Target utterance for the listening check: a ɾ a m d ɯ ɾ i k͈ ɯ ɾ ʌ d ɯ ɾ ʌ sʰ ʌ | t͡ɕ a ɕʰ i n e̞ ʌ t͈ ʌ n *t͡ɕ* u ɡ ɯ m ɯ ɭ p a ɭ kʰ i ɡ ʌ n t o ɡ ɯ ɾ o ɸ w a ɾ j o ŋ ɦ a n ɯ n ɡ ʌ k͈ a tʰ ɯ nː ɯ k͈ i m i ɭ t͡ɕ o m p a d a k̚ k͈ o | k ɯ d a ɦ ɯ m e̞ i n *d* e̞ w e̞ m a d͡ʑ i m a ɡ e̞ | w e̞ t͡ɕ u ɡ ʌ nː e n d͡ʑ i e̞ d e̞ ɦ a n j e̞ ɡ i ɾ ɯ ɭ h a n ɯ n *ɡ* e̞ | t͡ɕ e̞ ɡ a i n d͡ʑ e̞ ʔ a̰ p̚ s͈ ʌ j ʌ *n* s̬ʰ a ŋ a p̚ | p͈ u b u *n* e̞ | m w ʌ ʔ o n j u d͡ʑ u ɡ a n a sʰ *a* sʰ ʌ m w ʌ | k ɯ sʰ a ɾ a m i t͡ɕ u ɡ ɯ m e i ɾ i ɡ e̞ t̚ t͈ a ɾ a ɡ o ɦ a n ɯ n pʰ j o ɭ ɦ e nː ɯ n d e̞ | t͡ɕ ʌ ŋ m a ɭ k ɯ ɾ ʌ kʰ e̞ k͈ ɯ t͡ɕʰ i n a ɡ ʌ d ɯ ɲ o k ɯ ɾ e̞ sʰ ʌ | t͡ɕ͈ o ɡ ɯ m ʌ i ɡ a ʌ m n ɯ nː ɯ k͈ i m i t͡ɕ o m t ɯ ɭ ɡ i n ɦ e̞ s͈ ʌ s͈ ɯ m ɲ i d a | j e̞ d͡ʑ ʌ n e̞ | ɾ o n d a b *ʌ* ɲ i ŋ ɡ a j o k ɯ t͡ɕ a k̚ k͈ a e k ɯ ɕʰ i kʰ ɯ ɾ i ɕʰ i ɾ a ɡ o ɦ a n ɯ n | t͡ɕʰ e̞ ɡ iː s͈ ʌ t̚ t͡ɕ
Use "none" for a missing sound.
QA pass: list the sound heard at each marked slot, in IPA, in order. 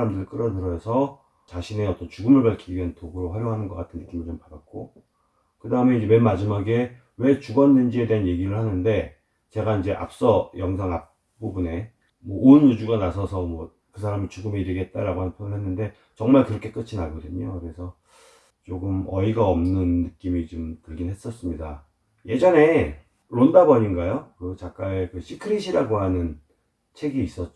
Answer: t͡ɕ, d͡ʑ, d, ŋ, n, ʌ, ʌ

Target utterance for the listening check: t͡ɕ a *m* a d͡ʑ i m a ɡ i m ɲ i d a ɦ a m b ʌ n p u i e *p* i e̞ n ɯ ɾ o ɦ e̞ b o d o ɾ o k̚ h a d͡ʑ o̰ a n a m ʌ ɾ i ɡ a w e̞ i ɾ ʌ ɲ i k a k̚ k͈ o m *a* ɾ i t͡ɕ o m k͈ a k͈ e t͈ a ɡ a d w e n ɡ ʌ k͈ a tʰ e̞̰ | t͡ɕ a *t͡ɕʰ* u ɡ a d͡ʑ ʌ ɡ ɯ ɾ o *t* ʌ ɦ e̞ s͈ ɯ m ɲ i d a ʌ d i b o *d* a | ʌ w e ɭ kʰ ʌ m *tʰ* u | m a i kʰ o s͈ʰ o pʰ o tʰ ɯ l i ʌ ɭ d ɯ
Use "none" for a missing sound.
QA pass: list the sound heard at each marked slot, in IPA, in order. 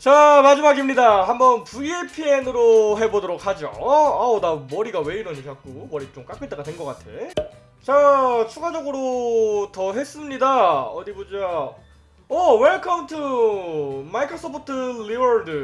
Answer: m, pʰ, ʌ, t͡ɕʰ, t, d͡ʑ, tʰ

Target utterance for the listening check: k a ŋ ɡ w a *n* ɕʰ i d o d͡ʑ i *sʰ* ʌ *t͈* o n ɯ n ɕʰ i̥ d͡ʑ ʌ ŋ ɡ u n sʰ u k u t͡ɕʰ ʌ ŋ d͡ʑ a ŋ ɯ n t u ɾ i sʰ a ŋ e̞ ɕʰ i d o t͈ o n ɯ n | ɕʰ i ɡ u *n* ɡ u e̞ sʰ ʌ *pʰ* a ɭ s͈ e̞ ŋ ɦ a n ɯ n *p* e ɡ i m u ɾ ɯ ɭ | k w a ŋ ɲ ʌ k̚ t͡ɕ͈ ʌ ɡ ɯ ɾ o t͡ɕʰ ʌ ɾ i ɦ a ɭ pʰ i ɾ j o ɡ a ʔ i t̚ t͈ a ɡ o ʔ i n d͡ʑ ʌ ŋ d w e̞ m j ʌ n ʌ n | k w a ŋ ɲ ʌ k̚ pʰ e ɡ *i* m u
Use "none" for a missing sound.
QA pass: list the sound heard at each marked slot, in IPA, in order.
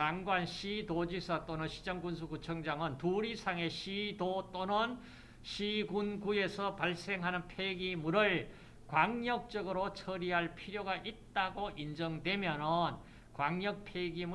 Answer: n, sʰ, t͈, n, p, pʰ, i

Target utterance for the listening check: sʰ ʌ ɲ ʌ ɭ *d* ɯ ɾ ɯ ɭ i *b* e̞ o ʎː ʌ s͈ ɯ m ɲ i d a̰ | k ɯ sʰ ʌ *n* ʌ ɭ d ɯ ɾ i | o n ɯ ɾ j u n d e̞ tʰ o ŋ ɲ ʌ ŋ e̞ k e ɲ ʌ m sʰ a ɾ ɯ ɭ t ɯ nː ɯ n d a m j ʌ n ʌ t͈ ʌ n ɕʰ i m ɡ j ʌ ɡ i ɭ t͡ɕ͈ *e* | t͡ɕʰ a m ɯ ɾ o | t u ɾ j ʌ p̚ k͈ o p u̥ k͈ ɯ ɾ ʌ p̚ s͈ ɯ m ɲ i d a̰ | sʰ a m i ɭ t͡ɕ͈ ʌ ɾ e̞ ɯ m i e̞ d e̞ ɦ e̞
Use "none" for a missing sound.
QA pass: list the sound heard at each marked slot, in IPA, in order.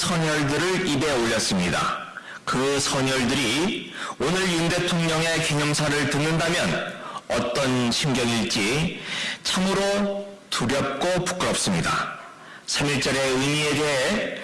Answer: d, b, ɲ, i

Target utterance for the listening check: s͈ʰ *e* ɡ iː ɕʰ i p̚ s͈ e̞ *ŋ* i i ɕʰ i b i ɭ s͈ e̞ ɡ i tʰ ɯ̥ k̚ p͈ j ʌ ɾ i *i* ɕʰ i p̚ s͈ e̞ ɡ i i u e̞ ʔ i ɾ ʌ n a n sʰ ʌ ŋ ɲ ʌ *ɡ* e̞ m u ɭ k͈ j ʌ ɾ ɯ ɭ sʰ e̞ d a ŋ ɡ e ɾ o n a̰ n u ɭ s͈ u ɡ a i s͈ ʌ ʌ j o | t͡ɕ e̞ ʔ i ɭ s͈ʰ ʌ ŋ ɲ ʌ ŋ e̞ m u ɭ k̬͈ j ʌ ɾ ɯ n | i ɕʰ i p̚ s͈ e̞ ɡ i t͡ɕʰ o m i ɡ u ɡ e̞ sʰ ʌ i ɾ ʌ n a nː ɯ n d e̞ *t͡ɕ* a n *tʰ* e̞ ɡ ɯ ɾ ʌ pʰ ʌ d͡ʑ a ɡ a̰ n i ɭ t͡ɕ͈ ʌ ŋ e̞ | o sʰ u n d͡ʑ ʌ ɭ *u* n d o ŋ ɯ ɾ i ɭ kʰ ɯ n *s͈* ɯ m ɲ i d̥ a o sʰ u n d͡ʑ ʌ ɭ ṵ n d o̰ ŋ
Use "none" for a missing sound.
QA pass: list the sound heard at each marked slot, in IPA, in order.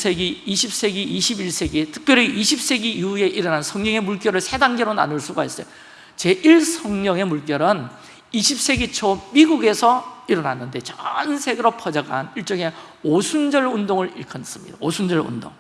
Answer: e, ɡ, i, ŋ, t͡ɕ, sʰ, u, s͈

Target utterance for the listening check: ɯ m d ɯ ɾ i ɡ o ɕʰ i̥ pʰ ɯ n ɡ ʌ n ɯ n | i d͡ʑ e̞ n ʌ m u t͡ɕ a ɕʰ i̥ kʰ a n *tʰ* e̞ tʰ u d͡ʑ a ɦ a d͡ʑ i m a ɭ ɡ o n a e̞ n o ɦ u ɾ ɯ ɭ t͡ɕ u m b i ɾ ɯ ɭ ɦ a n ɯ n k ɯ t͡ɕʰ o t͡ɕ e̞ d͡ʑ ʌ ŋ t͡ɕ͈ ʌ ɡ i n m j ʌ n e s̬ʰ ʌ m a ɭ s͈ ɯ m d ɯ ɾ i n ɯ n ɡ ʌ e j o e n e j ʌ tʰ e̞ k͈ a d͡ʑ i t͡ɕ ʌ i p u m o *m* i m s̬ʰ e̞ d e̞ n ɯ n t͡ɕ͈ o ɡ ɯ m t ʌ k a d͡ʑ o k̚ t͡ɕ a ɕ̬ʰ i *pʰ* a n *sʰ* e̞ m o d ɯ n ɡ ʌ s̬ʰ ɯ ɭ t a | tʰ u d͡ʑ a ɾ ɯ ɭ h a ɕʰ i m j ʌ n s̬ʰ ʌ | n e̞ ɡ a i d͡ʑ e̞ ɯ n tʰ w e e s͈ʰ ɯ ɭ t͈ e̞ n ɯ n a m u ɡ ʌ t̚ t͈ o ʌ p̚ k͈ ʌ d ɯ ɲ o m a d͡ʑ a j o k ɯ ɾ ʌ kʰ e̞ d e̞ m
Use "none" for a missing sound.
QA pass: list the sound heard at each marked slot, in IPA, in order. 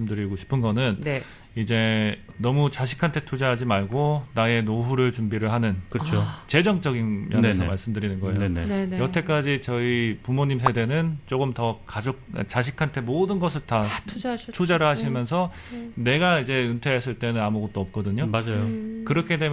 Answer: tʰ, ɲ, kʰ, tʰ

